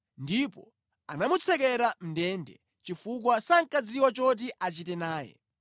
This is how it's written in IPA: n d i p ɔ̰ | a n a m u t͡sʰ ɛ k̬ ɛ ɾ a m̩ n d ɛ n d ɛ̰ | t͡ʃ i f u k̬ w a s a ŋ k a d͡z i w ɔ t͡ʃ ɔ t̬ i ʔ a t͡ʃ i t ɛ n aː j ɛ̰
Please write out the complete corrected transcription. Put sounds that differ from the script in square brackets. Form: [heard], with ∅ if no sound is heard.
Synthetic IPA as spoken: n d i p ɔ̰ | a n a m u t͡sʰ ɛ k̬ ɛ ɾ a m̩ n d ɛ n d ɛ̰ | t͡ʃ i f u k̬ w a s a ŋ k a d͡z i w ɔ t͡ʃ ɔ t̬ i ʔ a t͡ʃ i t ɛ n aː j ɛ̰